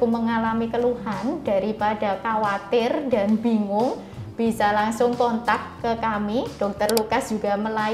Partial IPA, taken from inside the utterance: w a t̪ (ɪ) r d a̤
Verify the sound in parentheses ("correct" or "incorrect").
correct